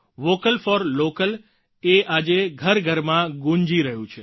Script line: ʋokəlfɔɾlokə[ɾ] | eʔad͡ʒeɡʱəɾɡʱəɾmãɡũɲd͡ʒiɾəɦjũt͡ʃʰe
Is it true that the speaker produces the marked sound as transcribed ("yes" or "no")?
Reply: no